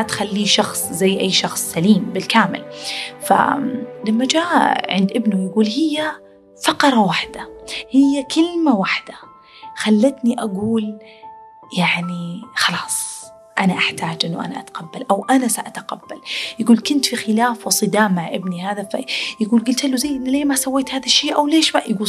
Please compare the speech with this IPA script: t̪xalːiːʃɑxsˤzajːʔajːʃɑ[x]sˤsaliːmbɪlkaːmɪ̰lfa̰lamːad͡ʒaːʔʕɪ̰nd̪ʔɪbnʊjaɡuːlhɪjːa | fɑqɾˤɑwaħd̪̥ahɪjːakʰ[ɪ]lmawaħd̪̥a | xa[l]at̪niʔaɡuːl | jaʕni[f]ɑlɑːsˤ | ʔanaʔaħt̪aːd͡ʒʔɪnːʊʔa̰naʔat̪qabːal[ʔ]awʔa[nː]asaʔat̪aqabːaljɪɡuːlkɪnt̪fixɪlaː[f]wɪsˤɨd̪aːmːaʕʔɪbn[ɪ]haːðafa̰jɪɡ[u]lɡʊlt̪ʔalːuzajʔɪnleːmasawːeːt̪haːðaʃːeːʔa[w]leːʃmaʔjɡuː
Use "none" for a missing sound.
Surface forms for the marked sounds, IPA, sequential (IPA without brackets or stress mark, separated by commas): x, ɪ, lː, x, ʔ, n, f, i, uː, w